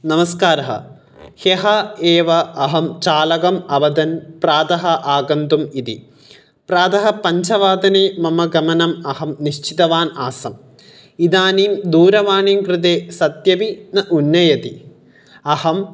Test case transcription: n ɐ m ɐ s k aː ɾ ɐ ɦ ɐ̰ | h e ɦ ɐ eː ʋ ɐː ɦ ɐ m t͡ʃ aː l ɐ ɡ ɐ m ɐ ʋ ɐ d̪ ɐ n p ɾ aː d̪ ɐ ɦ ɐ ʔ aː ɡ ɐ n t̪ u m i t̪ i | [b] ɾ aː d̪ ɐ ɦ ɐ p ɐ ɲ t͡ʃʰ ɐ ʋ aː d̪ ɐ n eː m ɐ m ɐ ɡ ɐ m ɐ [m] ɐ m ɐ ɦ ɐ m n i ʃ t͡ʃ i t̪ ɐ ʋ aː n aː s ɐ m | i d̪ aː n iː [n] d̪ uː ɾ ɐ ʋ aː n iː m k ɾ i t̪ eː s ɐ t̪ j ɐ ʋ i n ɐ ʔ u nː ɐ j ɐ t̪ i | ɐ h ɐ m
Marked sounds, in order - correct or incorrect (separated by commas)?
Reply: incorrect, incorrect, incorrect